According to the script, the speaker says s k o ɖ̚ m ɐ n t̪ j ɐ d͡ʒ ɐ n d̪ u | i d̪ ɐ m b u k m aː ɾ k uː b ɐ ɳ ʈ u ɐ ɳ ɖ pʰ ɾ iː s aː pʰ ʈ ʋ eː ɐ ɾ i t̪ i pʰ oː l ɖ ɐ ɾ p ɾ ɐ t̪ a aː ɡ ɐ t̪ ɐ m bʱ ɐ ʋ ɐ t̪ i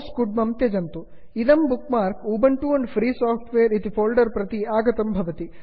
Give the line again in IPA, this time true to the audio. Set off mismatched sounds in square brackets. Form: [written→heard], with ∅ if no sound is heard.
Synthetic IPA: s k [o→u] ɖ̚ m ɐ [n→m] t̪ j ɐ d͡ʒ ɐ n [d̪→t̪] u | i d̪ ɐ m b u k m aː ɾ k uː b ɐ ɳ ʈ u ɐ ɳ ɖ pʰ ɾ iː s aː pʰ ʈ ʋ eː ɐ ɾ i t̪ i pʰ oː l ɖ ɐ ɾ p ɾ ɐ t̪ [a→i] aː ɡ ɐ t̪ ɐ m bʱ ɐ ʋ ɐ t̪ i

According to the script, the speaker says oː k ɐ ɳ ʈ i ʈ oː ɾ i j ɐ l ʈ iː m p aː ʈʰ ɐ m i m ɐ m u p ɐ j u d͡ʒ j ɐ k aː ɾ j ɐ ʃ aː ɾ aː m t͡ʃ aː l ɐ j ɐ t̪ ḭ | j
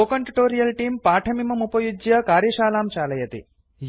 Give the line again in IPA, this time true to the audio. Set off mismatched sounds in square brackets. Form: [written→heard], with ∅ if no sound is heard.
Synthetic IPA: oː k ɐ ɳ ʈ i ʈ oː ɾ i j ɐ l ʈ iː m p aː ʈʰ ɐ m i m ɐ m u p ɐ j u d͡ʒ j ɐ k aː ɾ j ɐ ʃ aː [ɾ→l] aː m t͡ʃ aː l ɐ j ɐ t̪ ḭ | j

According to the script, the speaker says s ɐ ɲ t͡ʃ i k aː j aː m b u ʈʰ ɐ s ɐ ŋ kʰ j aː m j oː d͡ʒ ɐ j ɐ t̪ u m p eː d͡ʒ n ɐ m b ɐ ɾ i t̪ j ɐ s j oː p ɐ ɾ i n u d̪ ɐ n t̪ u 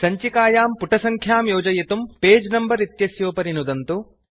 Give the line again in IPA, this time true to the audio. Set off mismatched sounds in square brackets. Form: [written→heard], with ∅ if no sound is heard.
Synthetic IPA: s ɐ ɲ t͡ʃ i k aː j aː m [b→p] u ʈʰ ɐ s ɐ ŋ kʰ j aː m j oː d͡ʒ ɐ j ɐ t̪ u m p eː d͡ʒ n ɐ m b ɐ ɾ i t̪ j ɐ s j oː p ɐ ɾ i n u d̪ ɐ n t̪ u

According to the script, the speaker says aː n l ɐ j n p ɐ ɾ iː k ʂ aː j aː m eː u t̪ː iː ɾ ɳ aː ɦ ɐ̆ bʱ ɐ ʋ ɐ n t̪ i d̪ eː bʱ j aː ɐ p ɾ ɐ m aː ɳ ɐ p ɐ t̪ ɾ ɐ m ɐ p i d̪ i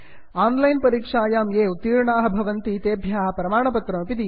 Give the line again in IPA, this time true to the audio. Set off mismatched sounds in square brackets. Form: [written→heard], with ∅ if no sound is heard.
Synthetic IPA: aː n l ɐ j n p ɐ ɾ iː k ʂ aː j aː m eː u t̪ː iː ɾ ɳ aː ɦ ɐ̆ bʱ ɐ ʋ ɐ n t̪ i [d̪→t̪] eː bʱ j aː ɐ p ɾ ɐ m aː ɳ ɐ p ɐ t̪ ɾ ɐ m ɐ p i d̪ i

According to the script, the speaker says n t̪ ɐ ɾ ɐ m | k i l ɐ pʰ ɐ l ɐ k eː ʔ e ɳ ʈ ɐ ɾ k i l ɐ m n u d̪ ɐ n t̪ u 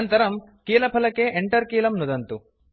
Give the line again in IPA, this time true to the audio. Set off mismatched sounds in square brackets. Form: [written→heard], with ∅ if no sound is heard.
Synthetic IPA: n t̪ ɐ ɾ ɐ m | k [i→iː] l ɐ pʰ ɐ l ɐ k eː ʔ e ɳ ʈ ɐ ɾ k [i→iː] l ɐ m n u d̪ ɐ n t̪ u

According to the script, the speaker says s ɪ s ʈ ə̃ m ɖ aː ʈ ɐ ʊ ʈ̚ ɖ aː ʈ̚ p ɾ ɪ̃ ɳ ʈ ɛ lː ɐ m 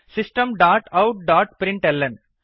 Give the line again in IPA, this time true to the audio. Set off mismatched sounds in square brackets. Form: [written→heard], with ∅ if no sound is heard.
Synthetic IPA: s ɪ s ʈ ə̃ m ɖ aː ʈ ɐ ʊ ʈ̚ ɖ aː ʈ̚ p ɾ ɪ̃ ɳ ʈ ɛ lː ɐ [m→n]

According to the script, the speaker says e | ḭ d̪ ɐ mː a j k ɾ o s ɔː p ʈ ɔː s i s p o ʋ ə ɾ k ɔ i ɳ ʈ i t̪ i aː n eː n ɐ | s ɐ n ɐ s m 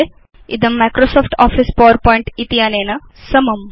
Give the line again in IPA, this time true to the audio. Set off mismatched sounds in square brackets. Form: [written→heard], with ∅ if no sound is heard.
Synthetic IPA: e | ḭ d̪ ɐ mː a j k ɾ o s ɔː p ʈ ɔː [s→f] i s p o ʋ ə ɾ [k→p] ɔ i ɳ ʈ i t̪ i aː n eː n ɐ | s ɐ [n→m] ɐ [s→∅] m

